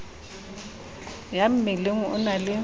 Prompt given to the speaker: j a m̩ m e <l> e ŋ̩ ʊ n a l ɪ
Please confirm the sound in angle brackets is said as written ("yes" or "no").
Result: yes